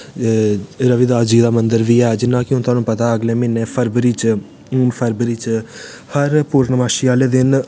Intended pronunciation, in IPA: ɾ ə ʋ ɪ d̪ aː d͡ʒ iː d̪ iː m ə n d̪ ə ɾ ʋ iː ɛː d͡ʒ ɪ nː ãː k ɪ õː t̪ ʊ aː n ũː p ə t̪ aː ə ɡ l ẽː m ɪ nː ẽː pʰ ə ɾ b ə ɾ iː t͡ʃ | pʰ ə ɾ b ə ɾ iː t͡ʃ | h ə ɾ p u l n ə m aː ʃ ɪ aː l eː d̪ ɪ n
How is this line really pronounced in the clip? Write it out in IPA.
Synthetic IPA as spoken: ɾ ə ʋ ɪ d̪ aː d͡ʒ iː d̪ aː m ə n d̪ ə ɾ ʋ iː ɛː d͡ʒ ɪ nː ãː k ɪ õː t̪ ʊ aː n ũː p ə t̪ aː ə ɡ l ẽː m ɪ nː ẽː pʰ ə ɾ b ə ɾ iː t͡ʃ | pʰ ə ɾ b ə ɾ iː t͡ʃ | h ə ɾ p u ɾ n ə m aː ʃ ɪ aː l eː d̪ ɪ n